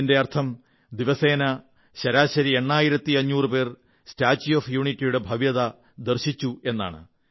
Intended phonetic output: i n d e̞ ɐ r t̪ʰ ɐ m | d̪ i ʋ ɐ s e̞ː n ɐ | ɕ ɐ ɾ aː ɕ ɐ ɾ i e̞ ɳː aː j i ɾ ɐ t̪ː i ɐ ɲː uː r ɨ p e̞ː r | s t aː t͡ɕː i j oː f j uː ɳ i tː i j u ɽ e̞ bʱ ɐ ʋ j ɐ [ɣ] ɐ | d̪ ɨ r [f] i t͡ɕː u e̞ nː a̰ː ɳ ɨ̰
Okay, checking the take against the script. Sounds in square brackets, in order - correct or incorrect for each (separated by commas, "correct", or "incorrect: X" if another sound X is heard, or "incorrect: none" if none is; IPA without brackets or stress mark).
incorrect: ð, incorrect: ɕ